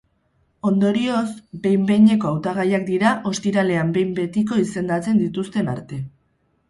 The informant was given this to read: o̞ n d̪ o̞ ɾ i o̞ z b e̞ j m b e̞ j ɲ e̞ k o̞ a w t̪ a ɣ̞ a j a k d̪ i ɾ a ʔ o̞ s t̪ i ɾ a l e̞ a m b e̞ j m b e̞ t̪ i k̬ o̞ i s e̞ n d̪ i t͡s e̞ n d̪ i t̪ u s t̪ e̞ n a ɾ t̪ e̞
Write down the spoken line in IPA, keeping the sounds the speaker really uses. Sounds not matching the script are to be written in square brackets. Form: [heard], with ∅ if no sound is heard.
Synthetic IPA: o̞ n d̪ o̞ ɾ i o̞ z b e̞ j m b e̞ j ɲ e̞ k o̞ a w t̪ a ɣ̞ a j a k d̪ i ɾ a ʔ o̞ s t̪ i ɾ a l e̞ a m b e̞ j m b e̞ t̪ i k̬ o̞ i s e̞ n d̪ [a] t͡s e̞ n d̪ i t̪ u s t̪ e̞ n a ɾ t̪ e̞